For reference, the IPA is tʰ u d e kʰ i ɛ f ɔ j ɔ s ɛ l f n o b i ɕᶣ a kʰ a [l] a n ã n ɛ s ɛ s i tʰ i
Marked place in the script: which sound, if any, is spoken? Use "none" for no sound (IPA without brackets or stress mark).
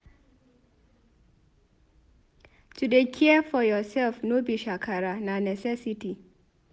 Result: ɾ